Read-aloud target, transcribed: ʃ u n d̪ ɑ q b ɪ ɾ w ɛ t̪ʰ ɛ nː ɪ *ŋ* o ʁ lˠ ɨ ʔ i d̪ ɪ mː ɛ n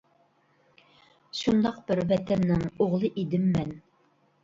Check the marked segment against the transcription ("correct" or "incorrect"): correct